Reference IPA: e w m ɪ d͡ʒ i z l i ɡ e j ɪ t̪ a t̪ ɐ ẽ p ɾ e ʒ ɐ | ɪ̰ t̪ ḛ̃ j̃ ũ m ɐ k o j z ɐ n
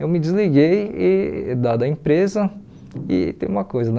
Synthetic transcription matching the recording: e w m ɪ d͡ʒ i z l i ɡ e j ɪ d̪ a d̪ ɐ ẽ p ɾ e z ɐ | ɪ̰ t̪ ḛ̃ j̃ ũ m ɐ k o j z ɐ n